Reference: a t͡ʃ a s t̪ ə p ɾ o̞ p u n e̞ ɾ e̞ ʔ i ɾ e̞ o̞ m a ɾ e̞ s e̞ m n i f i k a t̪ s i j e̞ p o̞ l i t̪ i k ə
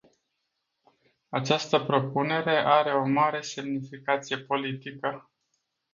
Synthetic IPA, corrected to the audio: a t͡ʃ a s t̪ ə p ɾ o̞ p u n e̞ ɾ e̞ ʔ a ɾ e̞ o̞ m a ɾ e̞ s e̞ m n i f i k a t̪ s i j e̞ p o̞ l i t̪ i k ə